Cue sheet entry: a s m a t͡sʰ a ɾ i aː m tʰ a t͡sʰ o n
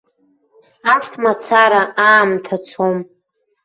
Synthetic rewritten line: a s m a t͡sʰ a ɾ a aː m tʰ a t͡sʰ o m